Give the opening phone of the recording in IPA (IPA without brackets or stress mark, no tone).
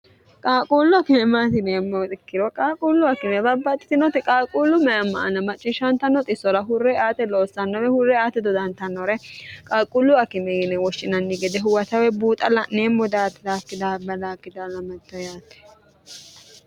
kʼ